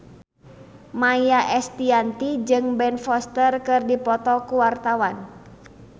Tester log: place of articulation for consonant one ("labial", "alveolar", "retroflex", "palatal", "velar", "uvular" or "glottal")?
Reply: labial